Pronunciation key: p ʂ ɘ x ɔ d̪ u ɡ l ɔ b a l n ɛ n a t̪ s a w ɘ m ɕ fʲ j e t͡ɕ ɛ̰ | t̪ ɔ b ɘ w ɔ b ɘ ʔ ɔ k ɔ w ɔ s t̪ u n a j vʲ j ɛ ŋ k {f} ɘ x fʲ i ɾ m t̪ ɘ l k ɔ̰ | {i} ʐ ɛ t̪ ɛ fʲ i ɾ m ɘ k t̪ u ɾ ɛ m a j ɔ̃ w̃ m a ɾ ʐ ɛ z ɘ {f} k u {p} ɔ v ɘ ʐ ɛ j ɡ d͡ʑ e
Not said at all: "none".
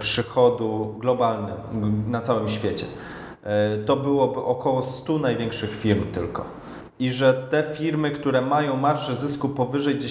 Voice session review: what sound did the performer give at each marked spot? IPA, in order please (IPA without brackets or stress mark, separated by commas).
ʂ, i, s, p